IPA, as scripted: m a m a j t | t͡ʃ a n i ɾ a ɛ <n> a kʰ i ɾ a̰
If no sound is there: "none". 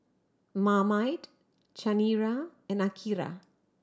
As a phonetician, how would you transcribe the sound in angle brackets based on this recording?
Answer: n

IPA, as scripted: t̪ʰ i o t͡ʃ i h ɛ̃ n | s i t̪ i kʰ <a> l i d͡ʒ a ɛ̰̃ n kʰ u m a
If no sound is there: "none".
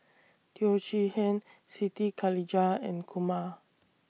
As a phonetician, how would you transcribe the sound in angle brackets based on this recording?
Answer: a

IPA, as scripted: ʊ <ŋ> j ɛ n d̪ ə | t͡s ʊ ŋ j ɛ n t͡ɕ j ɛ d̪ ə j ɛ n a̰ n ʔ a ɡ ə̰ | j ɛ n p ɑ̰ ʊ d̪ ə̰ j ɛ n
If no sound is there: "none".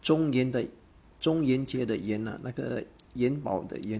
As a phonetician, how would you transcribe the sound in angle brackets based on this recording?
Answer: ŋ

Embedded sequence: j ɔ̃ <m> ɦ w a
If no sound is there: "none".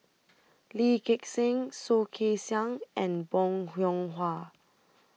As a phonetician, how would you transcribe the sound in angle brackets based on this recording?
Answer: ŋ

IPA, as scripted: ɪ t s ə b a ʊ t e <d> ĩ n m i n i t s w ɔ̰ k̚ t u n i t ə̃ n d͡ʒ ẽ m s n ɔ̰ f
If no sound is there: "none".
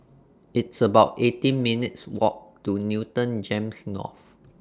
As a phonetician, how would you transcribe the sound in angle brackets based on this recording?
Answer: t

